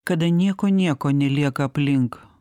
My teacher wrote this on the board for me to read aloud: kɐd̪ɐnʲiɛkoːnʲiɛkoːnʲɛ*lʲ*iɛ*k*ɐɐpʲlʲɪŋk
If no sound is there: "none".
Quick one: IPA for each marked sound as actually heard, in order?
lʲ, k

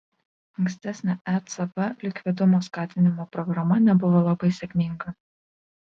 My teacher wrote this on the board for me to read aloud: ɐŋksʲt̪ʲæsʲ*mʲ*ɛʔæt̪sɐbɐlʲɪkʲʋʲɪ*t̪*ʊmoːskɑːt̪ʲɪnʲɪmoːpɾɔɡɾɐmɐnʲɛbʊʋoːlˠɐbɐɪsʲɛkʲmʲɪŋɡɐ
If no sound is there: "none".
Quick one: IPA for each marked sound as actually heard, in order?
nʲ, d̪

